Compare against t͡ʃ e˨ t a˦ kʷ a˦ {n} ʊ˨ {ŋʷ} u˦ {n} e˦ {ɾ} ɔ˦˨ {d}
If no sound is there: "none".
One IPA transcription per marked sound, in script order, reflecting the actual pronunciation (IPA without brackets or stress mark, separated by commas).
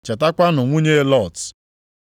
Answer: n, ŋʷ, ɲ, l, t